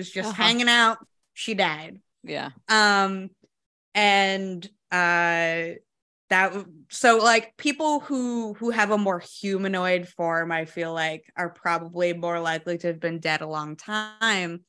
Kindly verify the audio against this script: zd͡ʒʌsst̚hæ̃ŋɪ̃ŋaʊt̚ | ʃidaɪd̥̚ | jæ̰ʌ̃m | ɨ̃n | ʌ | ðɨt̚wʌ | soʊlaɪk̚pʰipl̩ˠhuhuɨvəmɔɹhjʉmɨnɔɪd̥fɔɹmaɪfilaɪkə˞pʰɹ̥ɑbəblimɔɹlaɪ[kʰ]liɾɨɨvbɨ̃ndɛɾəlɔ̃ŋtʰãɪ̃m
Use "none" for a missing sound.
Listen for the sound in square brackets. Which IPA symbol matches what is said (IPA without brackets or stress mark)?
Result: k